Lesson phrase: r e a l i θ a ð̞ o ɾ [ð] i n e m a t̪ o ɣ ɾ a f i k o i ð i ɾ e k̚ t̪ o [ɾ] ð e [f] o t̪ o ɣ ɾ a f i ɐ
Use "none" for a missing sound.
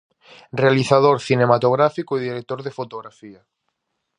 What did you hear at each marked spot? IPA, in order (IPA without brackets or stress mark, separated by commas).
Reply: θ, ɾ, f